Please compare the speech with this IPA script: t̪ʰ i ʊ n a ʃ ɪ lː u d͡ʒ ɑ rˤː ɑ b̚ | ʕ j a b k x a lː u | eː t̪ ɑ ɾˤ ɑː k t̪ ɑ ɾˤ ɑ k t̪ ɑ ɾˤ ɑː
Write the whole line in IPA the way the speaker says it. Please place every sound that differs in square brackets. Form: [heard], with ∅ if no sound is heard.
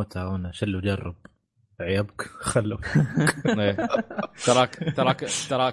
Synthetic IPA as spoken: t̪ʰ [a] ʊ n a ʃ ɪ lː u d͡ʒ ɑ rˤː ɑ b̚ | ʕ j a b k x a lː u | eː t̪ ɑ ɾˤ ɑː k t̪ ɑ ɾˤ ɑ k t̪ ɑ ɾˤ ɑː